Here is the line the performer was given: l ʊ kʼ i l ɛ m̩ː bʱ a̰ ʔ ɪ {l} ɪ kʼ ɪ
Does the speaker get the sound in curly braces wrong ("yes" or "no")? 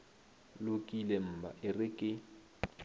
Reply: yes